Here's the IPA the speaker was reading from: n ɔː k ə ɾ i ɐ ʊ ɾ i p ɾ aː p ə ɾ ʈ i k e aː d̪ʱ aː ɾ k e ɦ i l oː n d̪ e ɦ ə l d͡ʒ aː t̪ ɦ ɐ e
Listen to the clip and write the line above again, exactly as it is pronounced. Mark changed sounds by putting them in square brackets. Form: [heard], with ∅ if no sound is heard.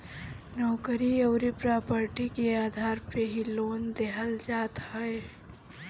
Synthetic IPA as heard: n ɔː k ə ɾ i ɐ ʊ ɾ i p ɾ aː p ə ɾ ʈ i k e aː d̪ʱ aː ɾ [p] e ɦ i l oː n d̪ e ɦ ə l d͡ʒ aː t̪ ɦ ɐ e